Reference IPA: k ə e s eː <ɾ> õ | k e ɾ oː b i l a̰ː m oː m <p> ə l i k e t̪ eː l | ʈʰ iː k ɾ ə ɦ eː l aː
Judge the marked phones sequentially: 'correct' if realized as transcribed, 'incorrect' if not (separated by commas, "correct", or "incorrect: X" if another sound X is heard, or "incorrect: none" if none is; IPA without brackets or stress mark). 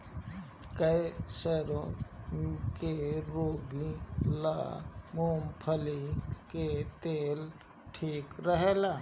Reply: correct, incorrect: pʰ